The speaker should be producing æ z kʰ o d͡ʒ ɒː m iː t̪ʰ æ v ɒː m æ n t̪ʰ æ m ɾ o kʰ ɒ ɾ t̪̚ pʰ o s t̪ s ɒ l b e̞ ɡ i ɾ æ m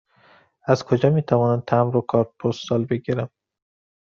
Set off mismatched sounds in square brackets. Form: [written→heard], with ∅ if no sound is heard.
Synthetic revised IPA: æ z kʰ o d͡ʒ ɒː m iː t̪ʰ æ v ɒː [m→n] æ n t̪ʰ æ m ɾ o kʰ ɒ ɾ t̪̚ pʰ o s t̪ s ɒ l b e̞ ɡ i ɾ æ m